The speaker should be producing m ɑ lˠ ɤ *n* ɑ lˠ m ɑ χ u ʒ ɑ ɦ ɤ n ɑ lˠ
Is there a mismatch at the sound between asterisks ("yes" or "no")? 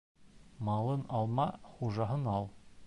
no